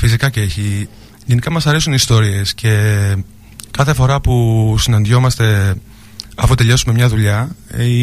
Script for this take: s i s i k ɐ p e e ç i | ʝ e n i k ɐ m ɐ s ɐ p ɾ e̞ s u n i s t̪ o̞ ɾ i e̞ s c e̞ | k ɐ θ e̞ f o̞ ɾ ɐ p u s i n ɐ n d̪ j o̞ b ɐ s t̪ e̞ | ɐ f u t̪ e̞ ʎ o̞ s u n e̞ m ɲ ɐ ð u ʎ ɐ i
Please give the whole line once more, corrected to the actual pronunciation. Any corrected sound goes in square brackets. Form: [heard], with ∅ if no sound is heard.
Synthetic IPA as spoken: [f] i s i k ɐ [c] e e ç i | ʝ e n i k ɐ m ɐ s ɐ [∅] ɾ e̞ s u n i s t̪ o̞ ɾ i e̞ s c e̞ | k ɐ θ e̞ f o̞ ɾ ɐ p u s i n ɐ n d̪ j o̞ [m] ɐ s t̪ e̞ | ɐ f u t̪ e̞ ʎ o̞ s u [m] e̞ m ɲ ɐ ð u ʎ ɐ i